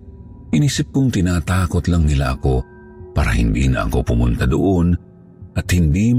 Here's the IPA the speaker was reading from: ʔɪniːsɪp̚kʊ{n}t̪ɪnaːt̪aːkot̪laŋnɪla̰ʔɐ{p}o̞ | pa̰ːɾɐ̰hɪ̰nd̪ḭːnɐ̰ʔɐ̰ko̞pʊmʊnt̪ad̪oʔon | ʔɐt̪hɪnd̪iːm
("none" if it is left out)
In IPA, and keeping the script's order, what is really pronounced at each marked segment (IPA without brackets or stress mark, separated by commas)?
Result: ŋ, k